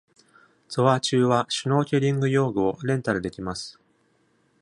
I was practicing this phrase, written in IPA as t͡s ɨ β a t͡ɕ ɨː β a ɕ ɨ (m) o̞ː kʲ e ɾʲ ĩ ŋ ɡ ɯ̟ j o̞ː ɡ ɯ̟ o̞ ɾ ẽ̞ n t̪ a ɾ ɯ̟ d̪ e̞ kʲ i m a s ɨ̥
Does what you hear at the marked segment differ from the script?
yes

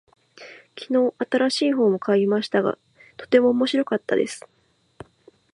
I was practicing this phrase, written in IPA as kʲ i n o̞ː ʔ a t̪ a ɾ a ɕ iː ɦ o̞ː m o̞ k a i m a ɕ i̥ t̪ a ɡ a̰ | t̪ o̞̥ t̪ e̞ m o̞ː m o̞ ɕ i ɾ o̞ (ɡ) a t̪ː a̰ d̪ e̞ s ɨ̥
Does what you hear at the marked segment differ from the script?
yes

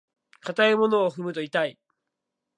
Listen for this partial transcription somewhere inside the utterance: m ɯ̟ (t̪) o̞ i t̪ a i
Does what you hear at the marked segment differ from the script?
no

